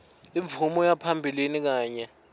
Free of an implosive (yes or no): yes